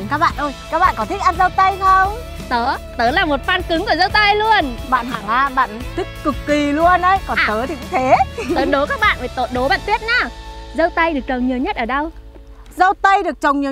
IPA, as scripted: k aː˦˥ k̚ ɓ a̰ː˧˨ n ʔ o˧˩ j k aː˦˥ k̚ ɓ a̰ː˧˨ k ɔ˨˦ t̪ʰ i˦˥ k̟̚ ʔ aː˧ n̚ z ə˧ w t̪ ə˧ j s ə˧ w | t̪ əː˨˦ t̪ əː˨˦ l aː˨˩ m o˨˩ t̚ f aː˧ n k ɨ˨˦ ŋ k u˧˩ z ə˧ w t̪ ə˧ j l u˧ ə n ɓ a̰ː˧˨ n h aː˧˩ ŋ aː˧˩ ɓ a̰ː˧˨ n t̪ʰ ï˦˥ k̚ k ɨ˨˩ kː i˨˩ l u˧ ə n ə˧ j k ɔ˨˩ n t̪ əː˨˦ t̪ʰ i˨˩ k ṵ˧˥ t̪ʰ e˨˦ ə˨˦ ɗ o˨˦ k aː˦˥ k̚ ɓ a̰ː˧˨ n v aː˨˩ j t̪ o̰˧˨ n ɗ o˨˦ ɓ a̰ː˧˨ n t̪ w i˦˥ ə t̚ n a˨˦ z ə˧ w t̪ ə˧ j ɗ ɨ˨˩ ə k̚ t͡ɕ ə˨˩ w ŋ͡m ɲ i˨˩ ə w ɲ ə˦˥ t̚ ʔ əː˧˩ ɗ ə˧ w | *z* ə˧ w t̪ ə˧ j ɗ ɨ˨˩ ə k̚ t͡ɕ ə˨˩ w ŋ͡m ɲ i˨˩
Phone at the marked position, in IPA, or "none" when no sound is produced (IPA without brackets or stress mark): z